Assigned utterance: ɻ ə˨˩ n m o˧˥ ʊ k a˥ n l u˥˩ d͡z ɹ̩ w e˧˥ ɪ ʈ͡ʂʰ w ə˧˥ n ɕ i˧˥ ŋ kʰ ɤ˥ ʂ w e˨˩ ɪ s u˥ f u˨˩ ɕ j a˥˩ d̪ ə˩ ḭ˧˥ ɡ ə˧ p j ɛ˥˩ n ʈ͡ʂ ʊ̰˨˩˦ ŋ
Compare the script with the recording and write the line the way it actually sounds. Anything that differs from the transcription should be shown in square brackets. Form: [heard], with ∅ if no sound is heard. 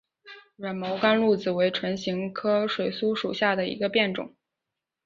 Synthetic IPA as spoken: ɻ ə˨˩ n m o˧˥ ʊ k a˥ n l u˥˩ d͡z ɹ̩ w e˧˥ ɪ ʈ͡ʂʰ w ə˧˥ n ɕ i˧˥ ŋ kʰ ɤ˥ ʂ w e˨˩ ɪ s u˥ [ʂ] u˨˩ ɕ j a˥˩ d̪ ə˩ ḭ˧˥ ɡ ə˧ p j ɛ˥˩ n ʈ͡ʂ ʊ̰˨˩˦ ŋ